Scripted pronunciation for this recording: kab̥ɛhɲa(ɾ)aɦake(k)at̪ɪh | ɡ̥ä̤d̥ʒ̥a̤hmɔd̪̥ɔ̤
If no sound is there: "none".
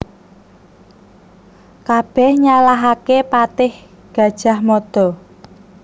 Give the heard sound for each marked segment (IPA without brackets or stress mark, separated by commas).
l, p